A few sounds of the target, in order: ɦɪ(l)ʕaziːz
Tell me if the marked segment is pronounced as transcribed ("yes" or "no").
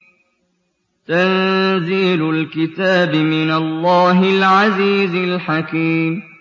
yes